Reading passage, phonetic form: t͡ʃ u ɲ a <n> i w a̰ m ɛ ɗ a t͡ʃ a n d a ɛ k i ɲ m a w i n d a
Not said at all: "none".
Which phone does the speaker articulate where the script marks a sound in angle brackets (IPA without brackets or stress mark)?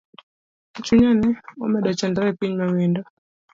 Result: n